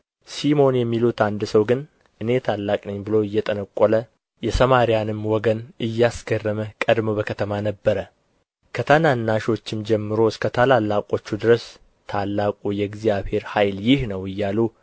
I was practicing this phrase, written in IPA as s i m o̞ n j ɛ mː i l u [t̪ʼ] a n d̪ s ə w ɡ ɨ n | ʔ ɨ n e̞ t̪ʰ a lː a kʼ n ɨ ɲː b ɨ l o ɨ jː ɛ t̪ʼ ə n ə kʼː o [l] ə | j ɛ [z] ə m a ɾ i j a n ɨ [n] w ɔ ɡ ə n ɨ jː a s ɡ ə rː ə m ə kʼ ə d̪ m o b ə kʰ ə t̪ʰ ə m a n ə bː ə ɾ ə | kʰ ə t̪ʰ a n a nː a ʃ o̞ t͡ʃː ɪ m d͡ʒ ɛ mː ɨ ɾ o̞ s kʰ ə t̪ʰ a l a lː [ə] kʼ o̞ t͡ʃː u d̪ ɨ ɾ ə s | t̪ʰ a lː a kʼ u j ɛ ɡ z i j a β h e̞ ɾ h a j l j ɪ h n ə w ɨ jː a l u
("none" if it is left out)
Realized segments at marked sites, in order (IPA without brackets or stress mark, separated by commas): t̪, l, s, m, a